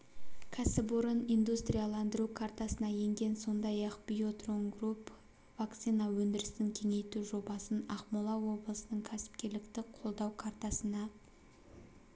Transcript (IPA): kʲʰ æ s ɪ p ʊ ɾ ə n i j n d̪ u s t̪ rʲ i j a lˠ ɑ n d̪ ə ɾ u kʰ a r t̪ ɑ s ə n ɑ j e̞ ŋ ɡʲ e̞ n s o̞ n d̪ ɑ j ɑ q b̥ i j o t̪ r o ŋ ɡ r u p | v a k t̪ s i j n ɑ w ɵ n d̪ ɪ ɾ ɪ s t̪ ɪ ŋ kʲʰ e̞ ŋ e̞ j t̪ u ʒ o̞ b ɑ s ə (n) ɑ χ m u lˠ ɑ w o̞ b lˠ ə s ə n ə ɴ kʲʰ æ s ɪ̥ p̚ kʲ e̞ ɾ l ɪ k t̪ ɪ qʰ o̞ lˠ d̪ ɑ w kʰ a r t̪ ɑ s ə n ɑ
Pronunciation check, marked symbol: correct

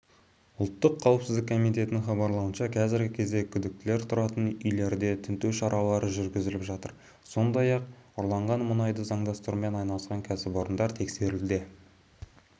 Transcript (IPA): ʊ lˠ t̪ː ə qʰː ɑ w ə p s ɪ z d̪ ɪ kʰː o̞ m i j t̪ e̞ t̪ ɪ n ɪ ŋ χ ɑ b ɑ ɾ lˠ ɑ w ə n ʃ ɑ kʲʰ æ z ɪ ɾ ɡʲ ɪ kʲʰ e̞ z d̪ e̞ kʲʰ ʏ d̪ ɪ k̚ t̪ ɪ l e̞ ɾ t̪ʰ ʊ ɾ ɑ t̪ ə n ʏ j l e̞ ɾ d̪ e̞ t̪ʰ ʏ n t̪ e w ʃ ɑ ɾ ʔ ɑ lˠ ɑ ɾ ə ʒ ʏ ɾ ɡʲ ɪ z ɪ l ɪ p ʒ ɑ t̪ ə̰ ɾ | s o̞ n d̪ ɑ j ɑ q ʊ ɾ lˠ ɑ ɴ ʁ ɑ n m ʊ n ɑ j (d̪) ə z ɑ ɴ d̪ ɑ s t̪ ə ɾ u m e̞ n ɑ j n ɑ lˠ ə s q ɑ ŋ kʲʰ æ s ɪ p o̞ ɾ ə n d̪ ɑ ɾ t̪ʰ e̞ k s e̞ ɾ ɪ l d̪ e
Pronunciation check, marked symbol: correct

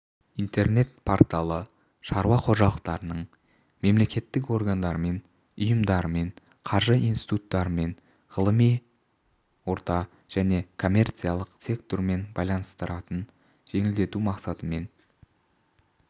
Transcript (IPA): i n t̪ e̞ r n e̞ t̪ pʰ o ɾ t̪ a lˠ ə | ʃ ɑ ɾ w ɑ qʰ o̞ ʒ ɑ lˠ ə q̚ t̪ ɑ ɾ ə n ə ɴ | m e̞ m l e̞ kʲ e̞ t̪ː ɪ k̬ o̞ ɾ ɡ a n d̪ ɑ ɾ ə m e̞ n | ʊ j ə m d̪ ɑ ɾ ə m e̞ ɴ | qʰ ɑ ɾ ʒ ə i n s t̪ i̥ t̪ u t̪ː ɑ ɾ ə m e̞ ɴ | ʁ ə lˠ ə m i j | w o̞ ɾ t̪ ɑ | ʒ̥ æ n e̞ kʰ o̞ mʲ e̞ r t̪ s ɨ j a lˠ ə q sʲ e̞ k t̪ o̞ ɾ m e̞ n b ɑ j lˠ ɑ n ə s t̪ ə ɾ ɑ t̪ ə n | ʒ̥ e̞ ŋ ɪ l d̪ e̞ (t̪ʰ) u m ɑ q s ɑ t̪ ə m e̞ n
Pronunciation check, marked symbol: incorrect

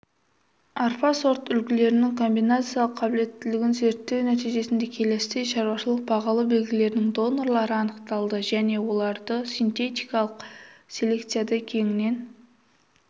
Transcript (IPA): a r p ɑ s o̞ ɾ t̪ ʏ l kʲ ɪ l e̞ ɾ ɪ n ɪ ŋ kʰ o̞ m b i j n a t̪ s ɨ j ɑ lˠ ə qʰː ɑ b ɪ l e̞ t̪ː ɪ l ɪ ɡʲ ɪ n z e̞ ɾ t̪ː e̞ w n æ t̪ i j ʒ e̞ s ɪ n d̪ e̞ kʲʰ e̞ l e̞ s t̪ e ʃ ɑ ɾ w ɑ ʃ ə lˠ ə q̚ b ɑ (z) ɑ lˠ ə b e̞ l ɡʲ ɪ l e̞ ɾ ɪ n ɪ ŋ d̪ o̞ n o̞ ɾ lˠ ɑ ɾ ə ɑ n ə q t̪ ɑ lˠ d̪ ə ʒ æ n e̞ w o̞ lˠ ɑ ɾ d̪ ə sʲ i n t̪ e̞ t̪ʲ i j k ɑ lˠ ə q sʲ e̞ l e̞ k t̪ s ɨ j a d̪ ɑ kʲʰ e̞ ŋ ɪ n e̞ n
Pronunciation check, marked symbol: incorrect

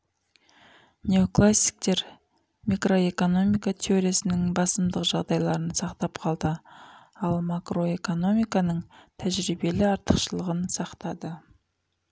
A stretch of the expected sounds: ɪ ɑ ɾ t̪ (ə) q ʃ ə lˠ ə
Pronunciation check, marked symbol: correct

